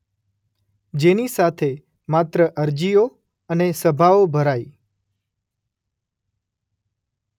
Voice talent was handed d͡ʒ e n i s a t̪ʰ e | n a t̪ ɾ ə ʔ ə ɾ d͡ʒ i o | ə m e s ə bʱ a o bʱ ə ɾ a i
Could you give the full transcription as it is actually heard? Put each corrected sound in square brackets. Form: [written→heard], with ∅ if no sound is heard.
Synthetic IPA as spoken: d͡ʒ e n i s a t̪ʰ e | [n→m] a t̪ ɾ ə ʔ ə ɾ d͡ʒ i o | ə [m→n] e s ə bʱ a o bʱ ə ɾ a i